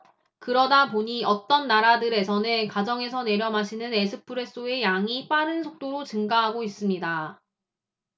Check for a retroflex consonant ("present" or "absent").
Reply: absent